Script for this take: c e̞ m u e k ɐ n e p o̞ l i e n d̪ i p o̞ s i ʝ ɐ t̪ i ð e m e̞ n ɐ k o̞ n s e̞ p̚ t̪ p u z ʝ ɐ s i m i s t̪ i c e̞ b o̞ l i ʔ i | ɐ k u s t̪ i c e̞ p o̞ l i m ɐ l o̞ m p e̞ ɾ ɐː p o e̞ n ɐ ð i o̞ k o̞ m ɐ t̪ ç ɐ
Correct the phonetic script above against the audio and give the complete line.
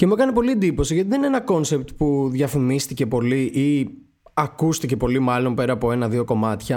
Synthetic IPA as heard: c e̞ m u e k ɐ n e p o̞ l i e n d̪ i p o̞ s i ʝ ɐ t̪ i ð e n e̞ n ɐ k o̞ n s e̞ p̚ t̪ p u ð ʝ ɐ f i m i s t̪ i c e̞ p o̞ l i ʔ i | ɐ k u s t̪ i c e̞ p o̞ l i m ɐ l o̞ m p e̞ ɾ ɐː p o e̞ n ɐ ð i o̞ k o̞ m ɐ t̪ ç ɐ